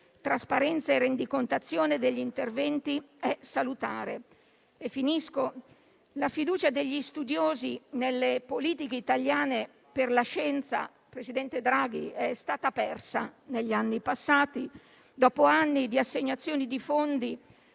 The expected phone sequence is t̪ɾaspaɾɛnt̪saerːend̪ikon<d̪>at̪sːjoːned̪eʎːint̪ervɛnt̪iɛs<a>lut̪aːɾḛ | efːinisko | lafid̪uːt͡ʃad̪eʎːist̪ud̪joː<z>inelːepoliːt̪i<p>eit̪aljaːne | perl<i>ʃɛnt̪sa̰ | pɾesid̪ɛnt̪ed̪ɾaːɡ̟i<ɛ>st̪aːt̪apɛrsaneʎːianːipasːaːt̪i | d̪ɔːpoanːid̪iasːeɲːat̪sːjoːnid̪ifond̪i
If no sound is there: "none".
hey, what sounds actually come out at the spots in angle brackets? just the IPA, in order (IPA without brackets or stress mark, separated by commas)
t̪, a, z, k, a, ɛ